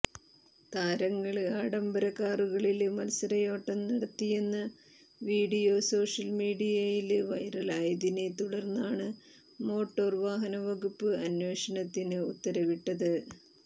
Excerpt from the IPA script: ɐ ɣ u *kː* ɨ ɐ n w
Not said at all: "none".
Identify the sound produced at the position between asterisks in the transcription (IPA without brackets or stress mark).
pː